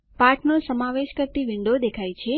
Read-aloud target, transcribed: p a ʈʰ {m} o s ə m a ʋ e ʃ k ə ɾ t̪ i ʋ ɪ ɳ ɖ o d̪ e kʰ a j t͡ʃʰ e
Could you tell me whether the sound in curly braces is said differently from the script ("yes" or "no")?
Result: yes